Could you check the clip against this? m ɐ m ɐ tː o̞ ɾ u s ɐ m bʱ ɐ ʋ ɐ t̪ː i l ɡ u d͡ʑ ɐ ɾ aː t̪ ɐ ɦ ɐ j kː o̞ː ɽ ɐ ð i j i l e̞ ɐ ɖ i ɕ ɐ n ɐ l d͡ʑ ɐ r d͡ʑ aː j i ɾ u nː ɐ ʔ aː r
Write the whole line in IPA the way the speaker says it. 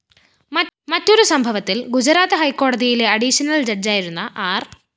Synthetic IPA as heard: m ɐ m ɐ tː o̞ ɾ u s ɐ m bʱ ɐ ʋ ɐ t̪ː i l ɡ u d͡ʑ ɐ ɾ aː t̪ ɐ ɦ ɐ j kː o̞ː ɽ ɐ ð i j i l e̞ ɐ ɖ i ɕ ɐ n ɐ l d͡ʑ ɐ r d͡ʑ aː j i ɾ u nː ɐ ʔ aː r